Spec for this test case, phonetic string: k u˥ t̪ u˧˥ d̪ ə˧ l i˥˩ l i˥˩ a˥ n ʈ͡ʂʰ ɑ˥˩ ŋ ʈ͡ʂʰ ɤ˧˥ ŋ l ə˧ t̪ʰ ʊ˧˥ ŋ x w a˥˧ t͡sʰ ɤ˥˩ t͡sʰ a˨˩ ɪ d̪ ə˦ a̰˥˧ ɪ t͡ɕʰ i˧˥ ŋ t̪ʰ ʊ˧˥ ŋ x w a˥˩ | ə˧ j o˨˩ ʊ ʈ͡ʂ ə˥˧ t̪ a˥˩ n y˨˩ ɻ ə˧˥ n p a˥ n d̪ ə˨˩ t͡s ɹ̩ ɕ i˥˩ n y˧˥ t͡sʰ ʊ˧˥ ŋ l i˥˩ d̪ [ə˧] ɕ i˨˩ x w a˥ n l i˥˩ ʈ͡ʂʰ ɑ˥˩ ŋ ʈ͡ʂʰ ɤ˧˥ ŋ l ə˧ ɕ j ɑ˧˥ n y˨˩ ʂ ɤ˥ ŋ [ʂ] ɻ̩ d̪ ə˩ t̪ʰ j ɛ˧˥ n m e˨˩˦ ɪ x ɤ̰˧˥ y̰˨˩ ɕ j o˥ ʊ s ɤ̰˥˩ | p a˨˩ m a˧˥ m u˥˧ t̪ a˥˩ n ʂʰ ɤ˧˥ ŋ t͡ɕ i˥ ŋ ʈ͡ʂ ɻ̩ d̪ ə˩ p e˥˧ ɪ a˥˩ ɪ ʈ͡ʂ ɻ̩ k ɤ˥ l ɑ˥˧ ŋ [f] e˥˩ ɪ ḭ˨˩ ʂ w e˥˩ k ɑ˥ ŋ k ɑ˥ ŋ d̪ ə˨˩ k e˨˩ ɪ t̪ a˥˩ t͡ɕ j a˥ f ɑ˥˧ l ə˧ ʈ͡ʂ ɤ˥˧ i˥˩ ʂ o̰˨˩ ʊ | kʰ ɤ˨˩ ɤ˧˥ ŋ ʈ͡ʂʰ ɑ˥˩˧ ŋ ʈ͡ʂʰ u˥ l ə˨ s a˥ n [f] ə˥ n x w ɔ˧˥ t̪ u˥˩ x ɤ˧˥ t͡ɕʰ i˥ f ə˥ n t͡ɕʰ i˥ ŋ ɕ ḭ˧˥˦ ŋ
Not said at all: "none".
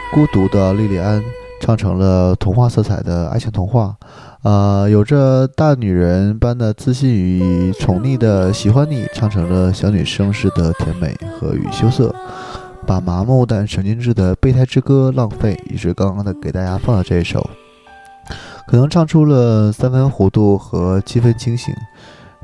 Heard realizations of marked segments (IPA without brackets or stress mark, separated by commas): ə˩, ʂ, f, f